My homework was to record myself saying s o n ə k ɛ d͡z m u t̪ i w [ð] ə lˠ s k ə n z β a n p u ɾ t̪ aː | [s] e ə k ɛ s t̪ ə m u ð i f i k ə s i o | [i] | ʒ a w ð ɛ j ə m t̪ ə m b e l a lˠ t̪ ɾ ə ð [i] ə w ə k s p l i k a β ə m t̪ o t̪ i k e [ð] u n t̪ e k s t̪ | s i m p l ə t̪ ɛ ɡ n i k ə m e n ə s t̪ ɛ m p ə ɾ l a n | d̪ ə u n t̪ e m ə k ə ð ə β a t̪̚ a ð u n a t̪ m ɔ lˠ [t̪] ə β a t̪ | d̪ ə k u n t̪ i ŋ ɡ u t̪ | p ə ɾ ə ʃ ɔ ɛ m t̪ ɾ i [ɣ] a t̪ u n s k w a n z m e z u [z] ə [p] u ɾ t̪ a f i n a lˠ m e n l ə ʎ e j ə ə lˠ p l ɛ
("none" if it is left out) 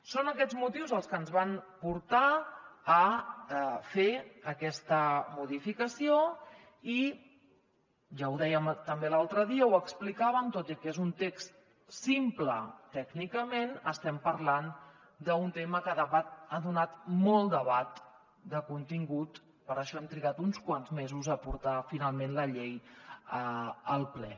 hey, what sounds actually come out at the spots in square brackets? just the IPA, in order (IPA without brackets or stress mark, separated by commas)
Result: z, f, i, i, z, d̪, ɣ, z, p